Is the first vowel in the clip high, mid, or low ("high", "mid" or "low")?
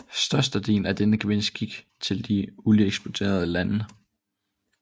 low